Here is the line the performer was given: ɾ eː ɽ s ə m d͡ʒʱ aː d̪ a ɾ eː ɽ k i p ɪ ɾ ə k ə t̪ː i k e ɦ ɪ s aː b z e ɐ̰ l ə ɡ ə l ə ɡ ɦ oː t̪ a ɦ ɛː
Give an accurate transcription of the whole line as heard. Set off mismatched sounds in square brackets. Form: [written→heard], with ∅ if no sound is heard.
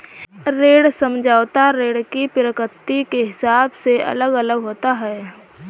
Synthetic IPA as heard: ɾ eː ɽ s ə m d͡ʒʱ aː [d̪→t̪] a ɾ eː ɽ k i p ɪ ɾ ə k ə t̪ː i k e ɦ ɪ s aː b [z→s] e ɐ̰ l ə ɡ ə l ə ɡ ɦ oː t̪ a ɦ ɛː